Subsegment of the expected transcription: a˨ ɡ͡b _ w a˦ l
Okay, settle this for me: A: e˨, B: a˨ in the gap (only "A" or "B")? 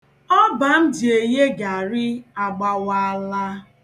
B